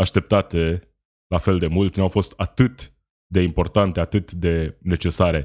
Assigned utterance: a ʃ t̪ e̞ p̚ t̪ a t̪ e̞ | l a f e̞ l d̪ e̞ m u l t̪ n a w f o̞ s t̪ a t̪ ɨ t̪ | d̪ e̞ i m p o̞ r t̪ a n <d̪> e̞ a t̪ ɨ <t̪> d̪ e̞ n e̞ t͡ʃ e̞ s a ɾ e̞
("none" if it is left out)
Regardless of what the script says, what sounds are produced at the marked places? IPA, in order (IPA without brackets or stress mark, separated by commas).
t̪, t̪